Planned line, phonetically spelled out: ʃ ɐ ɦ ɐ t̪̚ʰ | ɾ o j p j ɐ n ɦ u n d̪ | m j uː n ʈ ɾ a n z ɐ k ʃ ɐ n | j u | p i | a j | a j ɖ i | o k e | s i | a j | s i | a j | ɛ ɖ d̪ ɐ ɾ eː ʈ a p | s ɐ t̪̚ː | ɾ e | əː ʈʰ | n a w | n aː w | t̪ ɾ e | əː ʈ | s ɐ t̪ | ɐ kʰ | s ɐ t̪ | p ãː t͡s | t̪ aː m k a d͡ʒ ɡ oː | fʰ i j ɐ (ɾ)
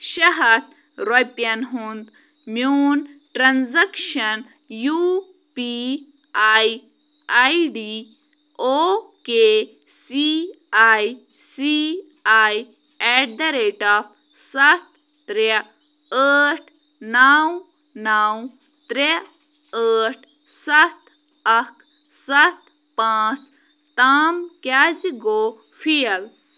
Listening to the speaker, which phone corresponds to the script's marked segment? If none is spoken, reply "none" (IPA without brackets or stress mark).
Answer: l